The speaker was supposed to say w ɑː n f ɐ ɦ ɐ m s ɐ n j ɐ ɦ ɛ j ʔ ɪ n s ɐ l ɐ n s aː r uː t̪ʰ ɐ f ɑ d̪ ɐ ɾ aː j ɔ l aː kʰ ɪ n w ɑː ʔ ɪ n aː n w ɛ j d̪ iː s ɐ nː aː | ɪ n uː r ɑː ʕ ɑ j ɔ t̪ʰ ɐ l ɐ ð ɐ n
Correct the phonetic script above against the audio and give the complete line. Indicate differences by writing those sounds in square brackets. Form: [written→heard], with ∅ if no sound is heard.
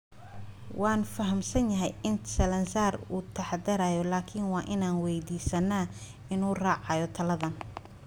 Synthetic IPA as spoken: w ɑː n f ɐ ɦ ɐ m s ɐ n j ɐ ɦ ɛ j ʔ ɪ n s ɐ l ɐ n s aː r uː t̪ʰ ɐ [f→ħ] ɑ d̪ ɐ ɾ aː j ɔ l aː kʰ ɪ n w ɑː ʔ ɪ n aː n w ɛ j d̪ iː s ɐ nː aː | ɪ n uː r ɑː ʕ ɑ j ɔ t̪ʰ ɐ l ɐ ð ɐ n